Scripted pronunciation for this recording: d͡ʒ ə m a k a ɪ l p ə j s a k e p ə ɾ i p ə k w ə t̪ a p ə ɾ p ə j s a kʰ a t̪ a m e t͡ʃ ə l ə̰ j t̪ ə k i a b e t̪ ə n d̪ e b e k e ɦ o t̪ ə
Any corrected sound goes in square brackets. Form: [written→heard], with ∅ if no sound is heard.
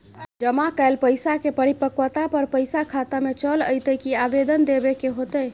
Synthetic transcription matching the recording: d͡ʒ ə m a k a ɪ l p ə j s a k e p ə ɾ i p ə k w ə t̪ a p ə ɾ p ə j s a kʰ a t̪ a m e t͡ʃ ə l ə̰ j t̪ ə k i a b e [t̪→d̪] ə n d̪ e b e k e ɦ o t̪ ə